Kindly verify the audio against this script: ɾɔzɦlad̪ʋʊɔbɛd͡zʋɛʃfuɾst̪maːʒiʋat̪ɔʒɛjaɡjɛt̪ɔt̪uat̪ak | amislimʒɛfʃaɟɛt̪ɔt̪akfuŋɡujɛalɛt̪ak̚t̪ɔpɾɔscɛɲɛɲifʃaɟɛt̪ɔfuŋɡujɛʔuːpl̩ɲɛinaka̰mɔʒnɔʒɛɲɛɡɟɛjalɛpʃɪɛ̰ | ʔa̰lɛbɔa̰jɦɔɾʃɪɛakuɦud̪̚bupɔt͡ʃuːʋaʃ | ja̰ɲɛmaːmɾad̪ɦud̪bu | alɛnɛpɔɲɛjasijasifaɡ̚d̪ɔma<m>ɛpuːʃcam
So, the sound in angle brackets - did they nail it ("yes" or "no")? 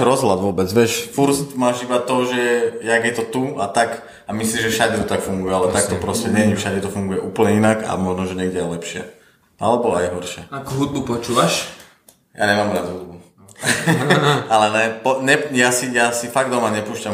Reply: no